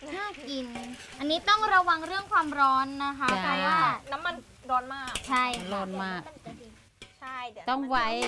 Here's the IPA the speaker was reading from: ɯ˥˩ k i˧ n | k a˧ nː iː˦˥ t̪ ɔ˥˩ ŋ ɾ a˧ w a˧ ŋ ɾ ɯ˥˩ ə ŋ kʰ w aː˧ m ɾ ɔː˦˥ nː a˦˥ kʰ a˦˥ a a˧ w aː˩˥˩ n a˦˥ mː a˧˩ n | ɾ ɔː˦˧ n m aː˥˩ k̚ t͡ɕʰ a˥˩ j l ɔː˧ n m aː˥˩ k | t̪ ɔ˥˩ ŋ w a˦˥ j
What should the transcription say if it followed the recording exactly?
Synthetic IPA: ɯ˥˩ k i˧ n | ʔ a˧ nː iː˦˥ t̪ ɔ˥˩ ŋ ɾ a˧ w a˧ ŋ ɾ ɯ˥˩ ə ŋ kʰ w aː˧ m ɾ ɔː˦˥ nː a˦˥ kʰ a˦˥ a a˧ w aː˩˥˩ n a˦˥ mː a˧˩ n | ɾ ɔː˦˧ n m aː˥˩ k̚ t͡ɕʰ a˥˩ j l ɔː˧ n m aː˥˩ k | t̪ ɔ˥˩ ŋ w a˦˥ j